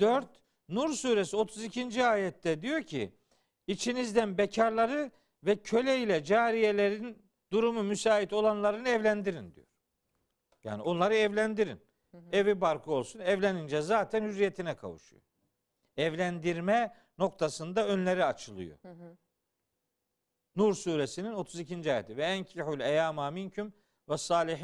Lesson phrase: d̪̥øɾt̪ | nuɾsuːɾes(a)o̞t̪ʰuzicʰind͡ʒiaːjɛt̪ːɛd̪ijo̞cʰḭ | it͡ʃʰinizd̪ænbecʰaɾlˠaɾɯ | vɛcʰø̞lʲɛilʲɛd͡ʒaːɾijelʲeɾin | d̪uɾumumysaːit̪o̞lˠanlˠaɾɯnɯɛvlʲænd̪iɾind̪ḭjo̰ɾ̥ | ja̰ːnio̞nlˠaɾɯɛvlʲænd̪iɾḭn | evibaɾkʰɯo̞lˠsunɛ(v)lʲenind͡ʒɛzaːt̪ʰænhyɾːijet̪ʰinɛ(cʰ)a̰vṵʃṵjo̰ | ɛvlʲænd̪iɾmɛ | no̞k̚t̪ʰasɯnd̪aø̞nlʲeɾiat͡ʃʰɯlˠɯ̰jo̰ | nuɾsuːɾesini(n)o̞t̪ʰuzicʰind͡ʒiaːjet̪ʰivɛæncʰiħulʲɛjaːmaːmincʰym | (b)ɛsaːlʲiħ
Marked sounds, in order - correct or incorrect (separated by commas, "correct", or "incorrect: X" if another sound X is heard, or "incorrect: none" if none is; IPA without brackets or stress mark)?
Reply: incorrect: i, correct, incorrect: kʰ, correct, incorrect: v